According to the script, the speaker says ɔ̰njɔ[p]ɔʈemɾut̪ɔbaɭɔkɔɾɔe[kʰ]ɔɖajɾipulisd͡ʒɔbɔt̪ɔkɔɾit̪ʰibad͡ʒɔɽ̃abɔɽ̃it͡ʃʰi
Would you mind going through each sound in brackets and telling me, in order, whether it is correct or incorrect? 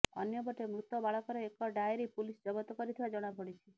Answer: incorrect: b, incorrect: k

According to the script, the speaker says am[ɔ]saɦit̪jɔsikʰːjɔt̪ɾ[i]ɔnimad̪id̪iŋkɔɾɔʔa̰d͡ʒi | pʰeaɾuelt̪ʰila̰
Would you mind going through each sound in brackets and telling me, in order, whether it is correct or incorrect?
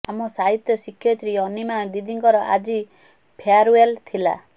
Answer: correct, correct

